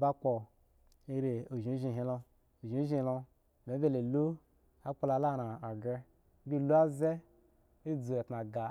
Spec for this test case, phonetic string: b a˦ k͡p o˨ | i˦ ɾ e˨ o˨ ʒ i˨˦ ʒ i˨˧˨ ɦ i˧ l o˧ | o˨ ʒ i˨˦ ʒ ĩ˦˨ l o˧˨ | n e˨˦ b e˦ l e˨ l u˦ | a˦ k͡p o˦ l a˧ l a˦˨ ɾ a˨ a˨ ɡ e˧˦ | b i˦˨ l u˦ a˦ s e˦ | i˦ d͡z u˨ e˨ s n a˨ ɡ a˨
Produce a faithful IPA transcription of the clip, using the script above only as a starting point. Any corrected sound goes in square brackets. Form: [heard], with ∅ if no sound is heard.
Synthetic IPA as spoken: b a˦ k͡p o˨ | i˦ ɾ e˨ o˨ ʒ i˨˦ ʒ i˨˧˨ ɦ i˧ l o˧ | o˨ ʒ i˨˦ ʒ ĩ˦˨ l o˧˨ | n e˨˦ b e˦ l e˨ l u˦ | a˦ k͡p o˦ l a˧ l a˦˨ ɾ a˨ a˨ ɡ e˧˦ | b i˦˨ l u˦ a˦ [z] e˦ | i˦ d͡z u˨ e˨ [t] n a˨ ɡ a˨

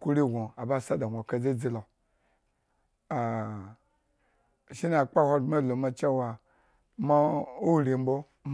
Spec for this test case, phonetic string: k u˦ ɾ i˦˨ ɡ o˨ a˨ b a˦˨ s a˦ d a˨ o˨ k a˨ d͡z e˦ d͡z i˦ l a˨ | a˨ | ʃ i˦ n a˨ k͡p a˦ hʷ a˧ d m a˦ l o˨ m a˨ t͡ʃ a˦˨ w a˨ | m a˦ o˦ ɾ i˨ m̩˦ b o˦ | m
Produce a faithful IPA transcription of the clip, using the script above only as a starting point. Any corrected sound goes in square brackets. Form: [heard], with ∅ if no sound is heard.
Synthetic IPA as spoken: k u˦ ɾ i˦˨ ɡ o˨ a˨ b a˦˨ s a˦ d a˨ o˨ k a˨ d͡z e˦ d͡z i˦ l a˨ | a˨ | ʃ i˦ n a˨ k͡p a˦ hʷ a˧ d m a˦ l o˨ m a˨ t͡ʃ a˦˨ w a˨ | m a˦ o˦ ɾ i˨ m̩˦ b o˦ | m

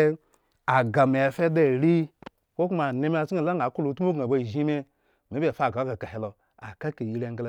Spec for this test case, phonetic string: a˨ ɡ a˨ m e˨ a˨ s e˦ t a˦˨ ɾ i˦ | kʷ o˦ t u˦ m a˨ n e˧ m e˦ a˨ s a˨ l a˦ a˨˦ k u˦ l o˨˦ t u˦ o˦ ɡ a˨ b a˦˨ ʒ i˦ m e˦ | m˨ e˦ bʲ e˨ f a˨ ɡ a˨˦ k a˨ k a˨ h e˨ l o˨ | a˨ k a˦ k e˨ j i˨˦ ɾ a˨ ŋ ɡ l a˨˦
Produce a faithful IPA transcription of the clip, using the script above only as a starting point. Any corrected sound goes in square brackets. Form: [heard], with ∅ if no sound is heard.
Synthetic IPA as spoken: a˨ ɡ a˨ m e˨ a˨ [f] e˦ [d] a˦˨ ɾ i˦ | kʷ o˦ [k] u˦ m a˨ n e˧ m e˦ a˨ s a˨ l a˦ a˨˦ k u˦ l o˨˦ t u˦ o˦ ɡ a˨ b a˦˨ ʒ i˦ m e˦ | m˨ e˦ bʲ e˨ f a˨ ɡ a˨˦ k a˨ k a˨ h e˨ l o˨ | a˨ k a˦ k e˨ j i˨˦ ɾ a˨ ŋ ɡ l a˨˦

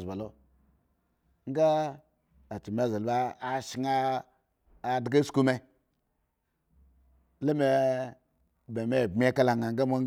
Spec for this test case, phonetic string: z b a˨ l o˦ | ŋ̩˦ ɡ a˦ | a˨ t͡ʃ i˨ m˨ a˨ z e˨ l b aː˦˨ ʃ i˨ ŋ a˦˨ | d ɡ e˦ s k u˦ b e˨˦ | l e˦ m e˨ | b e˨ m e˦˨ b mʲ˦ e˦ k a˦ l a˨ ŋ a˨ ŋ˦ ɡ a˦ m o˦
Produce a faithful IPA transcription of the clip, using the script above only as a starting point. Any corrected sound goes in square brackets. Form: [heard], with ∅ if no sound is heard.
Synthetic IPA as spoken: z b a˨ l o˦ | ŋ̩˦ ɡ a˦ | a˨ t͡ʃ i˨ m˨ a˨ z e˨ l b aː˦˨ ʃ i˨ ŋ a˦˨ | d ɡ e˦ s k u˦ [m] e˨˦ | l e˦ m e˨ | b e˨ m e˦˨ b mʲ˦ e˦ k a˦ l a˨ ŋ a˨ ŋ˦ ɡ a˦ m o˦

